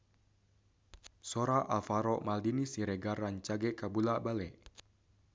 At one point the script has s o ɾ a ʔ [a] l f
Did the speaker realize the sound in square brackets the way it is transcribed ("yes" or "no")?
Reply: yes